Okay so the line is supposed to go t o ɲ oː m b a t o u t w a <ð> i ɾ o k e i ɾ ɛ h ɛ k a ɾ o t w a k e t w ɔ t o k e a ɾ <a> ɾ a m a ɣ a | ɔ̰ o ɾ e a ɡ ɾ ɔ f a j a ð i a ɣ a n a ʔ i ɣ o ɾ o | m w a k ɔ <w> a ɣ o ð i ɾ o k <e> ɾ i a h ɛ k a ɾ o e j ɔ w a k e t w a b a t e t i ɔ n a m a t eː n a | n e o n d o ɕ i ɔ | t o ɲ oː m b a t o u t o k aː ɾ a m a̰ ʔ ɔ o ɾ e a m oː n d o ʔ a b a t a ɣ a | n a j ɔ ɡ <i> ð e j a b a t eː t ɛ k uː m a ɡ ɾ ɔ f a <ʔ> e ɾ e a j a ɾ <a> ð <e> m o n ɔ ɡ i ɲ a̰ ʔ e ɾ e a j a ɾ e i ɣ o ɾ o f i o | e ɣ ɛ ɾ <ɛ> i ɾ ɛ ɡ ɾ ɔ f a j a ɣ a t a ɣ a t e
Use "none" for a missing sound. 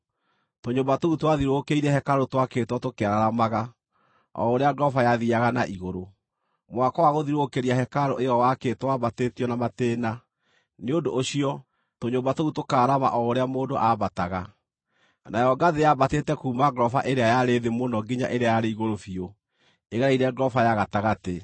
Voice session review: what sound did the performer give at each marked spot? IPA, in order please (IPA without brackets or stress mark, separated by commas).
ð, a, w, e, a, ʔ, e, e, a